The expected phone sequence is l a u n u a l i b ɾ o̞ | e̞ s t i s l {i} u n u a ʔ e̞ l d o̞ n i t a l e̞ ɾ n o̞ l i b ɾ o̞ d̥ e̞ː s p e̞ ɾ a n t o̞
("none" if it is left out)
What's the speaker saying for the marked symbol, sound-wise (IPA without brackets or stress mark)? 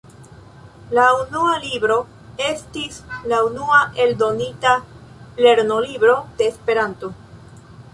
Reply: a